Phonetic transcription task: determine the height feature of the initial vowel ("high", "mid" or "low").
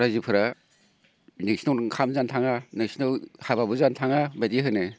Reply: low